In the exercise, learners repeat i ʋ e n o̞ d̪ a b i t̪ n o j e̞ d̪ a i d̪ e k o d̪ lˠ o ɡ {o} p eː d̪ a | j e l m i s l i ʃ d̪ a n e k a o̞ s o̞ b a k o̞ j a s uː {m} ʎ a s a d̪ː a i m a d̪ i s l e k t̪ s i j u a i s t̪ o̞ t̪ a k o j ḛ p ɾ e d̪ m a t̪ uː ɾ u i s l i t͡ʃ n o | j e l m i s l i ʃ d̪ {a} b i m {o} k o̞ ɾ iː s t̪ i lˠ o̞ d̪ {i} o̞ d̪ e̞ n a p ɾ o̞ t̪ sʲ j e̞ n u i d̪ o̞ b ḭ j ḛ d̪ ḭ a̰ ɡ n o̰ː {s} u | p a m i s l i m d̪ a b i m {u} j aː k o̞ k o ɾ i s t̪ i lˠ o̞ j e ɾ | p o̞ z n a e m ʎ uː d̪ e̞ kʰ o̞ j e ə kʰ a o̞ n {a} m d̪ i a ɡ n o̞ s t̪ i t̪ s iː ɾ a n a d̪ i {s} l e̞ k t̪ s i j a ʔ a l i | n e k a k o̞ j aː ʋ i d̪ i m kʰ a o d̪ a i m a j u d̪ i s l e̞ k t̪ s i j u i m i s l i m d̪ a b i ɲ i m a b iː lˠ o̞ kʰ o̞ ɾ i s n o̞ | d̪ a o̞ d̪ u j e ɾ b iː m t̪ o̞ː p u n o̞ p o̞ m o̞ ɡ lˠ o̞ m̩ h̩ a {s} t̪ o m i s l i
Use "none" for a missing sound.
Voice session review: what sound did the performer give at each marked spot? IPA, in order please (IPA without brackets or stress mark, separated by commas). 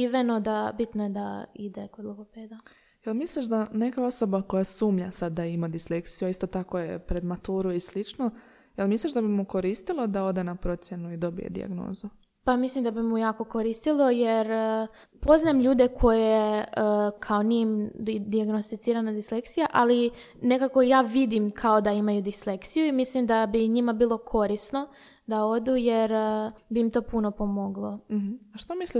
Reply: o, m, a, u, a, z, u, i, s, ʃ